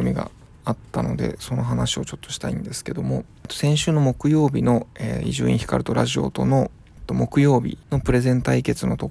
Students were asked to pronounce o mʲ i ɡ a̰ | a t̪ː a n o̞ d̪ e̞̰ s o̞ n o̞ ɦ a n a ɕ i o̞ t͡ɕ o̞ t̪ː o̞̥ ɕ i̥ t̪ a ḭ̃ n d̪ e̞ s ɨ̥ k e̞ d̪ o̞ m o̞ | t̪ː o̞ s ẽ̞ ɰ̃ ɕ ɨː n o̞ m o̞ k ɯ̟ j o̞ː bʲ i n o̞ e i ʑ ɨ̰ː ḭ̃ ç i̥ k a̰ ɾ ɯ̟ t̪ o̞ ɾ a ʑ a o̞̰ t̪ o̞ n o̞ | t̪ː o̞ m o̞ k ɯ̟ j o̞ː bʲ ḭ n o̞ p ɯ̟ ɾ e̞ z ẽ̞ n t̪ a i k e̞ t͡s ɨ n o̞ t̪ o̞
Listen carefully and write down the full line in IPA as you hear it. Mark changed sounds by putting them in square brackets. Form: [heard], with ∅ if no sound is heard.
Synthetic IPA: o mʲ i ɡ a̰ | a t̪ː a n o̞ d̪ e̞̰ s o̞ n o̞ ɦ a n a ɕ i o̞ t͡ɕ o̞ t̪ː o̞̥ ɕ i̥ t̪ a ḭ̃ n d̪ e̞ s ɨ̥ k e̞ d̪ o̞ m o̞ | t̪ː o̞ s ẽ̞ ɰ̃ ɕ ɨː n o̞ m o̞ k ɯ̟ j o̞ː bʲ i n o̞ e i ʑ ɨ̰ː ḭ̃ ç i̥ k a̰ ɾ ɯ̟ t̪ o̞ ɾ a ʑ [i] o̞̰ t̪ o̞ n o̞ | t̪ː o̞ m o̞ k ɯ̟ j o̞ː bʲ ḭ n o̞ p ɯ̟ ɾ e̞ z ẽ̞ n t̪ a i k e̞ t͡s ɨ n o̞ t̪ o̞